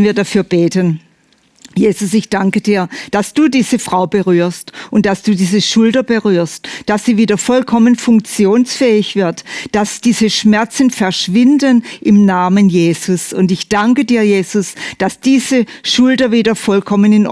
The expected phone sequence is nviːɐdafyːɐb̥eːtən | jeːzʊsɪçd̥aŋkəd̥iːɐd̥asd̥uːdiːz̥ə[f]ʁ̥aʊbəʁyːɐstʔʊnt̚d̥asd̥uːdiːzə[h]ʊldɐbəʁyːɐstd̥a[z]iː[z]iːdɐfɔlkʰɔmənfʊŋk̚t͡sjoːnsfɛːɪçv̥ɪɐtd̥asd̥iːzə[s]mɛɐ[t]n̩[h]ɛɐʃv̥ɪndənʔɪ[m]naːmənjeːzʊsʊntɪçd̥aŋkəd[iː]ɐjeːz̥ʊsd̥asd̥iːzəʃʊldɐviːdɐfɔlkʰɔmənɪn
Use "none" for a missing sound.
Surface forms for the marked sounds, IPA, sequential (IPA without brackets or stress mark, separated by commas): f, ʃ, s, v, ʃ, t͡s, f, m, iː